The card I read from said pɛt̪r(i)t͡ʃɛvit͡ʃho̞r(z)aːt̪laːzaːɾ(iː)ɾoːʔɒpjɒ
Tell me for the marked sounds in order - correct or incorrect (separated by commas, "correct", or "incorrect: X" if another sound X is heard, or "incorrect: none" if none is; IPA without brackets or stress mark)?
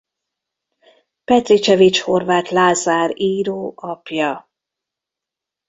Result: correct, incorrect: v, correct